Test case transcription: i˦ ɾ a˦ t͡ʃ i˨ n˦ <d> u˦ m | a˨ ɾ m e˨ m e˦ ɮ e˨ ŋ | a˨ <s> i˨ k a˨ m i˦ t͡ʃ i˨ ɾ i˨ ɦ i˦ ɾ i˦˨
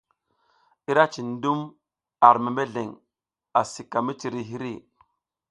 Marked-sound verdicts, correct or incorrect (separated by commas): correct, correct